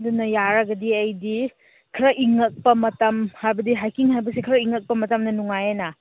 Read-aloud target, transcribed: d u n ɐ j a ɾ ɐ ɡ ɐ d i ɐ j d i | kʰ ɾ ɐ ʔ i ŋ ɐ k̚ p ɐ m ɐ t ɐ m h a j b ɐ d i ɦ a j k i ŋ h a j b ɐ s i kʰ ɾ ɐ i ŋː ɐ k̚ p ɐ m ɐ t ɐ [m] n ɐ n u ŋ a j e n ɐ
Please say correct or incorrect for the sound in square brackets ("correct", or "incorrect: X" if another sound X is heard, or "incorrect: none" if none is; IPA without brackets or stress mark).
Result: correct